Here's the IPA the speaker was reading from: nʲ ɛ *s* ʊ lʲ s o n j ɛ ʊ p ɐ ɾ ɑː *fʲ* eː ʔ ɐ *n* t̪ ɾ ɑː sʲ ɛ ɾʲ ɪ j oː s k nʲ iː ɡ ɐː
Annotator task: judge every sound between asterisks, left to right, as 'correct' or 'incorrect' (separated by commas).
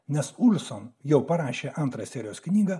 correct, incorrect, correct